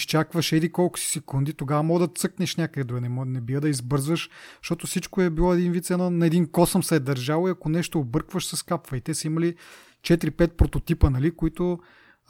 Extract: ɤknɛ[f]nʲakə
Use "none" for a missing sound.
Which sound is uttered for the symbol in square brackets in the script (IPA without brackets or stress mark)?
ʃ